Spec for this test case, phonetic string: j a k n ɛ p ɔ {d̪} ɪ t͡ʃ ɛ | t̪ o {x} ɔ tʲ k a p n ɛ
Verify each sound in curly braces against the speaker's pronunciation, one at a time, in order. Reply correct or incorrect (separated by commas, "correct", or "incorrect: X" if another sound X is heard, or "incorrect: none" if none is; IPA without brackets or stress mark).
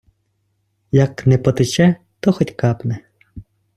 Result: incorrect: t̪, correct